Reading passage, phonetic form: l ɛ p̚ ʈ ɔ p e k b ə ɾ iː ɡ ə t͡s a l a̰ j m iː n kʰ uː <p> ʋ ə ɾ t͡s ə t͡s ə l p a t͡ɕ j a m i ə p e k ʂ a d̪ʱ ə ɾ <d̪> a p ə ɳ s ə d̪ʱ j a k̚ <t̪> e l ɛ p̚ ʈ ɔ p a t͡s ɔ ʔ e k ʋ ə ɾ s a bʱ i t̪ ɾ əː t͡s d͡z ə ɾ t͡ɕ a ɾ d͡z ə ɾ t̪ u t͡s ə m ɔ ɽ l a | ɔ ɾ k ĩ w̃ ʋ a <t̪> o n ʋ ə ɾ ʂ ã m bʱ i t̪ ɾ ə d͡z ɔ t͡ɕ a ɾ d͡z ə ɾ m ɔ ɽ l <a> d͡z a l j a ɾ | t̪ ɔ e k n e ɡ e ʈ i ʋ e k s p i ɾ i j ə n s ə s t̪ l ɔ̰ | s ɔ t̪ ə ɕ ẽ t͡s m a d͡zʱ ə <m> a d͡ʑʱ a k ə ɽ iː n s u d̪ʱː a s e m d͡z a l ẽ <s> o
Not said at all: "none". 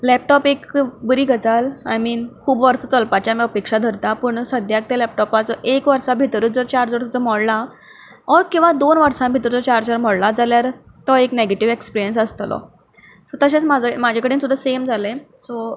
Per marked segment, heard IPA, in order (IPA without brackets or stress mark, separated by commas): b, t̪, t̪, d̪, a, m, s